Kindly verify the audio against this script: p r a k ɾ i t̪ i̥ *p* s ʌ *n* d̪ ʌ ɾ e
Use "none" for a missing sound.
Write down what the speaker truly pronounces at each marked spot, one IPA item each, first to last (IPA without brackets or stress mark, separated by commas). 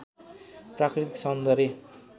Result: k, n